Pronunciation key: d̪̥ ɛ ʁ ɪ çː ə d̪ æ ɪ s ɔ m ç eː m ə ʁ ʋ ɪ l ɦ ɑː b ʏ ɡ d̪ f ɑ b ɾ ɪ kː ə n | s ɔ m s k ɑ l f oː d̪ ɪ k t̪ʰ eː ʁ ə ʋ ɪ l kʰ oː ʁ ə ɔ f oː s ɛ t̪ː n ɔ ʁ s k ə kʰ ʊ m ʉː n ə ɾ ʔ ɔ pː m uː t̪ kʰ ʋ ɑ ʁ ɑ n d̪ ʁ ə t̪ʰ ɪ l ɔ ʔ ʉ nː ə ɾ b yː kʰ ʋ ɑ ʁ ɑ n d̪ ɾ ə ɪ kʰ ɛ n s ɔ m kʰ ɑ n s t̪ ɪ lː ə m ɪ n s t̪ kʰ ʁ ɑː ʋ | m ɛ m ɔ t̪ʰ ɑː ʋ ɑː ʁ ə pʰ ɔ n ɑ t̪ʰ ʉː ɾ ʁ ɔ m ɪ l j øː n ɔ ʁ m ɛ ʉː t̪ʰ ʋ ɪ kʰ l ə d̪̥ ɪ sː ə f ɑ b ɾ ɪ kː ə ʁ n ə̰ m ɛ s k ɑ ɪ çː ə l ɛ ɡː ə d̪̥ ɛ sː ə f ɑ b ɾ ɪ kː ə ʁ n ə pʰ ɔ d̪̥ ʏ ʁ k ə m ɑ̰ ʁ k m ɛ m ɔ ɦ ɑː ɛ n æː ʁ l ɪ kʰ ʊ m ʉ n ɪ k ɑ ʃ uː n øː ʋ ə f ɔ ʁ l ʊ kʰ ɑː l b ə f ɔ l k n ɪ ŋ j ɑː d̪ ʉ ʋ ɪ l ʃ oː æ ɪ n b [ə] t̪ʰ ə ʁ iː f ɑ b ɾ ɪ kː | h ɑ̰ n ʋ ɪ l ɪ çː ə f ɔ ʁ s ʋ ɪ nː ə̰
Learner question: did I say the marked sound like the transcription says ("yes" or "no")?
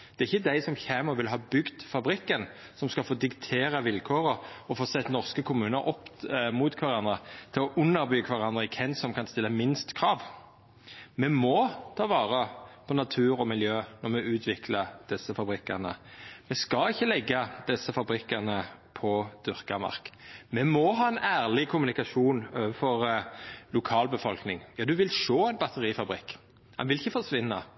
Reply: no